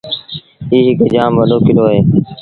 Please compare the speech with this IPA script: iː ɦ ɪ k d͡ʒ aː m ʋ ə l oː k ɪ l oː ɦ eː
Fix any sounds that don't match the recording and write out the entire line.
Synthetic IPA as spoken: iː ɦ ɪ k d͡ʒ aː m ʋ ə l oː k ɪ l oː ɦ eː